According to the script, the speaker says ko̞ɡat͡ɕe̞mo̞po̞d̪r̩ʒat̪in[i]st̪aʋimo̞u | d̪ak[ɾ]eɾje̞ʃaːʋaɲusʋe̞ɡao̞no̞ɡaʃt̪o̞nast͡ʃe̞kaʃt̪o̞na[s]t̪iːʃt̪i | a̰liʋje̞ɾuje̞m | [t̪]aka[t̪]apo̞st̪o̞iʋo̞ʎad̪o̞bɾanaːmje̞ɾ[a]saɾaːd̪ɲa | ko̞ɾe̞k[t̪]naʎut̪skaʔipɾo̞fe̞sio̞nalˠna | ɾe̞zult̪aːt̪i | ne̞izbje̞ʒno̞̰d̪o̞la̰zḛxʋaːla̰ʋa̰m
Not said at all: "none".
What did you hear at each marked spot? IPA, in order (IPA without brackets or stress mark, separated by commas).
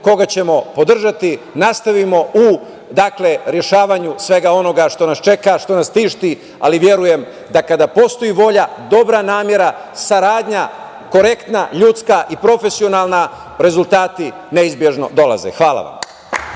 a, l, s, d̪, d̪, a, t̪